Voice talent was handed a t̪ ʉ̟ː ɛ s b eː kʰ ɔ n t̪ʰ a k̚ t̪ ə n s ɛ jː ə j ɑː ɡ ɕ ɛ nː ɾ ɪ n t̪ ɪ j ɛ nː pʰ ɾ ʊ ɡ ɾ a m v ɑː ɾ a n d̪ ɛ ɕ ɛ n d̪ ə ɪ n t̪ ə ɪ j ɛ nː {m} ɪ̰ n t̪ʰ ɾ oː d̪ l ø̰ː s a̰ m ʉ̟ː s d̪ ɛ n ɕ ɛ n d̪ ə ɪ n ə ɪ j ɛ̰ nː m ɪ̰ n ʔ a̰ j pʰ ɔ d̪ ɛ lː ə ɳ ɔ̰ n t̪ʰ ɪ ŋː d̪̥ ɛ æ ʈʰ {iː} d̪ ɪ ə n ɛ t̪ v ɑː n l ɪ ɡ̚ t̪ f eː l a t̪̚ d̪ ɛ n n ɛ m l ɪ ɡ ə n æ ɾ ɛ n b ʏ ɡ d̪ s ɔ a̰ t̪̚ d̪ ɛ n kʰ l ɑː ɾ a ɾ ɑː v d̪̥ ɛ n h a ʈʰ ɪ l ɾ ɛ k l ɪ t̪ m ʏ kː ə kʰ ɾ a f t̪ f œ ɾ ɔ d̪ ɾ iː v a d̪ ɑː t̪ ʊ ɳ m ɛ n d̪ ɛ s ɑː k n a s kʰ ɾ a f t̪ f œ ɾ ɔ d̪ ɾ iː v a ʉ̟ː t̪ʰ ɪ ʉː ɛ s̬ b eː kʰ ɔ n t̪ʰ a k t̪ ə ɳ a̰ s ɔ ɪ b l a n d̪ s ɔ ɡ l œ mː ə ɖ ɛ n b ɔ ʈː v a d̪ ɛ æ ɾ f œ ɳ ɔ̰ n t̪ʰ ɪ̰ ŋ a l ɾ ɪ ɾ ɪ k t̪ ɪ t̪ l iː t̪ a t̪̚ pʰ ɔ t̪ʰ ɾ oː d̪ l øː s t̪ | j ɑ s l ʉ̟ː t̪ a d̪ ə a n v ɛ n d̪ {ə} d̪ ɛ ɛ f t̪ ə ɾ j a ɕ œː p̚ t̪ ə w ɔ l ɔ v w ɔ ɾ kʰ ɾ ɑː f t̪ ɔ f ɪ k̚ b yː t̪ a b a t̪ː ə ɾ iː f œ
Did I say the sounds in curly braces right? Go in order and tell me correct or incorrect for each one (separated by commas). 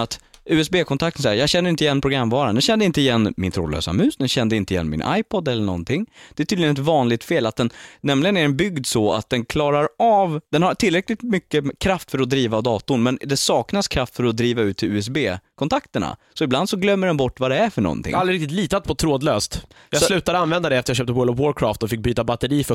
correct, incorrect, incorrect